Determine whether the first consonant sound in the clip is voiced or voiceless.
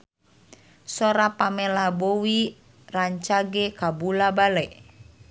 voiceless